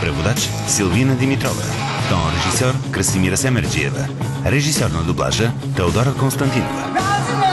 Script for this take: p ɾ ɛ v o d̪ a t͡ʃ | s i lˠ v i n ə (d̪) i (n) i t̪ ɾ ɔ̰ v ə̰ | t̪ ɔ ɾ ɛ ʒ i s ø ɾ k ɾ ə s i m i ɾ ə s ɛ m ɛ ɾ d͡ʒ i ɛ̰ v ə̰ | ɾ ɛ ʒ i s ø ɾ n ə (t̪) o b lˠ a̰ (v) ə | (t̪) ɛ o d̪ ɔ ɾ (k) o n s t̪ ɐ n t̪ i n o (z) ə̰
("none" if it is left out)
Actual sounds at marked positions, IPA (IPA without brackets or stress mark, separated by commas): d̪, m, d̪, ʒ, t̪, k, v